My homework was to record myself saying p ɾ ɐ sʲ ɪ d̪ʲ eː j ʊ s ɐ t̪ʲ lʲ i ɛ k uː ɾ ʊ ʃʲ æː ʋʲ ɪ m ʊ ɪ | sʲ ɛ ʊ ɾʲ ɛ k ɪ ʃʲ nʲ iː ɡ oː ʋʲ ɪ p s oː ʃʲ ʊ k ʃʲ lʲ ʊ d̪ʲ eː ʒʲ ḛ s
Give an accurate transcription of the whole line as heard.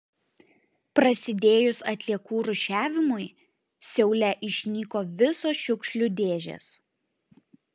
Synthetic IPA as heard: p ɾ ɐ sʲ ɪ d̪ʲ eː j ʊ s ɐ t̪ʲ lʲ i ɛ k uː ɾ ʊ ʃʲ æː ʋʲ ɪ m ʊ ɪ | sʲ ɛ ʊ lʲ ɛ ʔ ɪ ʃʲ nʲ iː k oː ʋʲ ɪ s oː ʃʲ ʊ k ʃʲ lʲ ʊ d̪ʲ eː ʒʲ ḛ s